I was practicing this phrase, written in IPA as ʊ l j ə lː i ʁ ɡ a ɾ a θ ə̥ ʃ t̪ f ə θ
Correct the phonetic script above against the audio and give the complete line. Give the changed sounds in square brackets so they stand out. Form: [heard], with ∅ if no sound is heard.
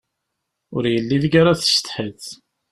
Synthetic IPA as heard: ʊ [ɾ] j ə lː i [ð] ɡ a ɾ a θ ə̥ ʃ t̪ [ħ] ə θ